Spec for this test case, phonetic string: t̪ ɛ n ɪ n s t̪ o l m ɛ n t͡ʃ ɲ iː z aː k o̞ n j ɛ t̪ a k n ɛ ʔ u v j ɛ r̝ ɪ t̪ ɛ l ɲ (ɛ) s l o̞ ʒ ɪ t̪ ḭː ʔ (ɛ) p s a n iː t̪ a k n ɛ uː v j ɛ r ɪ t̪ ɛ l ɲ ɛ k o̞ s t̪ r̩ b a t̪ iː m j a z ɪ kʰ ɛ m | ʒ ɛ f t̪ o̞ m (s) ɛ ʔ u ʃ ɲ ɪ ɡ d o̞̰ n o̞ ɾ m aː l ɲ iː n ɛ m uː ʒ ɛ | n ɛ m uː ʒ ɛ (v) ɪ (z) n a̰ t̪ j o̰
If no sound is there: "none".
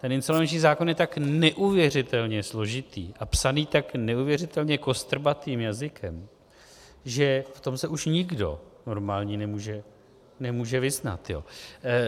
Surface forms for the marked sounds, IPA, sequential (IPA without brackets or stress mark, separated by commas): ɛ, a, s, v, z